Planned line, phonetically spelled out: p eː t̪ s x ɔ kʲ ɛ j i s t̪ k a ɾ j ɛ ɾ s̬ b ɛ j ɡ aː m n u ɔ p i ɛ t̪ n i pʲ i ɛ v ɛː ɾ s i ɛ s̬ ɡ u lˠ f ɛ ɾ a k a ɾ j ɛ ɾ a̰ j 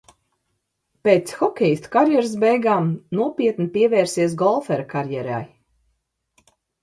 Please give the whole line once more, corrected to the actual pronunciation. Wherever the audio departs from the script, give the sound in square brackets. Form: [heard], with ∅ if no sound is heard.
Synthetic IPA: p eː t̪ s x ɔ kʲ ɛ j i s t̪ k a ɾ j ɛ ɾ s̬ b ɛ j ɡ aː m n u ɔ p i ɛ t̪ n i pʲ i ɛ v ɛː ɾ s i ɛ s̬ ɡ [ɔ] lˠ f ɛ ɾ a k a ɾ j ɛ ɾ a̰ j